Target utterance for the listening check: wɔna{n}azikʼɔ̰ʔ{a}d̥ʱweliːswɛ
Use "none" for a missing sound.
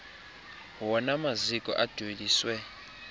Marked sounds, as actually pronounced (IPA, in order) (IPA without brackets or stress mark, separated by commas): m, a